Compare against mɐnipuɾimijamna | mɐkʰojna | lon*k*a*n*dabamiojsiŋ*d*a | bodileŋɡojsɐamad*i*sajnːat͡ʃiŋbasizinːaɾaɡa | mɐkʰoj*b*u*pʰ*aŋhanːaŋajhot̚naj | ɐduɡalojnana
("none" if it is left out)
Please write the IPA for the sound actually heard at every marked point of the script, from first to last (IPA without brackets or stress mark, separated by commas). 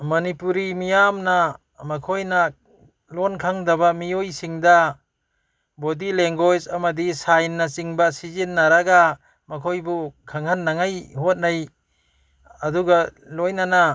kʰ, ŋ, d, i, b, kʰ